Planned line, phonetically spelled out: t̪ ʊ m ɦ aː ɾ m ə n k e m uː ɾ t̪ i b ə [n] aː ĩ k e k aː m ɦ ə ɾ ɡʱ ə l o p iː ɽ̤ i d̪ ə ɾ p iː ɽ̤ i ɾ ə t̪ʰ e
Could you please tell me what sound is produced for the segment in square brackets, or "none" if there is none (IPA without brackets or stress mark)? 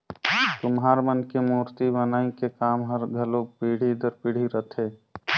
n